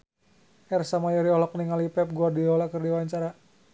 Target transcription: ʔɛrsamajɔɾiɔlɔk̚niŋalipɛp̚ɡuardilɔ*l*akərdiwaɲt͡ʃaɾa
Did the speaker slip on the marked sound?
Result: no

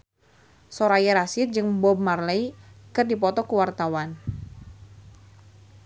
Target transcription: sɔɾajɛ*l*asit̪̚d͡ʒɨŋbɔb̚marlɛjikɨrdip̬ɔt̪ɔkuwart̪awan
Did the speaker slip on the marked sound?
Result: yes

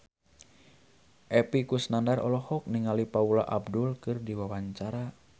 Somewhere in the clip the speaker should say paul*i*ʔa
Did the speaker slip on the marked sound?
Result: yes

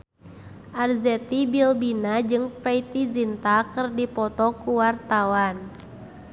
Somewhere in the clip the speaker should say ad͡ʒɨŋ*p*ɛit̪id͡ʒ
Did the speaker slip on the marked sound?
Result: no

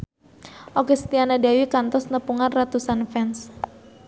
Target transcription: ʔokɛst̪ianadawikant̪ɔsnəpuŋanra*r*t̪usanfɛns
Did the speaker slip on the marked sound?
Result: yes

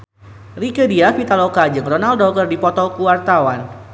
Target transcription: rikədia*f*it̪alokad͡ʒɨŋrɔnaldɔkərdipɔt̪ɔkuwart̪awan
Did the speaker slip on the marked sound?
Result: no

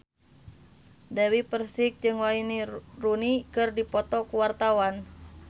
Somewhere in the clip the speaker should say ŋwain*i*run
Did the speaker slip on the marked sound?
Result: no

